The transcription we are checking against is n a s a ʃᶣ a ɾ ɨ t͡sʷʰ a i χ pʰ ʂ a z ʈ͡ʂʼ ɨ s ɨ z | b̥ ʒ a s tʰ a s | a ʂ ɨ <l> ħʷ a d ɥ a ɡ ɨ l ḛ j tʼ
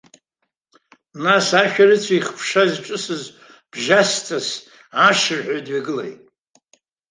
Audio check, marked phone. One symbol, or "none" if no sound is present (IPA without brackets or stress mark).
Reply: r